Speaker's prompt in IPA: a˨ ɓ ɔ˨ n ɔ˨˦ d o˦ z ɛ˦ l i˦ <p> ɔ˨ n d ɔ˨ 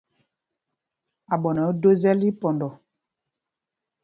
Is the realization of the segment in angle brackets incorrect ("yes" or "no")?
no